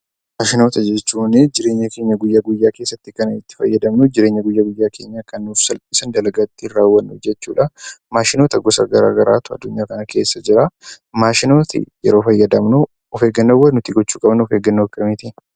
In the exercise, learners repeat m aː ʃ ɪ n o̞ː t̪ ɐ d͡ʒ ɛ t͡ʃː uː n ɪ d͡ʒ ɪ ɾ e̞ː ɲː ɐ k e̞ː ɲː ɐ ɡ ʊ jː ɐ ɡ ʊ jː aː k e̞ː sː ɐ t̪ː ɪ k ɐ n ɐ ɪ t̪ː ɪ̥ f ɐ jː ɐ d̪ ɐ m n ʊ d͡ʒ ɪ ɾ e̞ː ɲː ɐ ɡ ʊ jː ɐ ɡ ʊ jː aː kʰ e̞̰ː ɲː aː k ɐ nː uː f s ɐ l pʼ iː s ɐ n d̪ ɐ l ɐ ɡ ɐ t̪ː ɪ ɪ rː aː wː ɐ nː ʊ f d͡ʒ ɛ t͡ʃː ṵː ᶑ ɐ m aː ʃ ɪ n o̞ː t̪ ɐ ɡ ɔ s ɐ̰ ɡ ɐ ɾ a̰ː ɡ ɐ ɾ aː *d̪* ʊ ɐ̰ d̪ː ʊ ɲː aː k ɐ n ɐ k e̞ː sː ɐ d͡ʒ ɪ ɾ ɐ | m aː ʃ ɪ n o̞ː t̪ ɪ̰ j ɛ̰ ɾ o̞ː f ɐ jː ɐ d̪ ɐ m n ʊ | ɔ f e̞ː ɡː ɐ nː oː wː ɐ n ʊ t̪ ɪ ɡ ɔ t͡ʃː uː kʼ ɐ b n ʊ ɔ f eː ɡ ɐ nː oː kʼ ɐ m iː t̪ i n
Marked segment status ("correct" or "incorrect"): incorrect